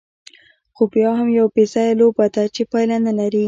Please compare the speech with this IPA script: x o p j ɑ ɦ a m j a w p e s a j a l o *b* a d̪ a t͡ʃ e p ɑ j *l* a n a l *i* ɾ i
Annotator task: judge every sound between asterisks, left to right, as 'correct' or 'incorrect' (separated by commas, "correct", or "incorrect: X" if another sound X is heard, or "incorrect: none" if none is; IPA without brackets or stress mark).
correct, correct, incorrect: a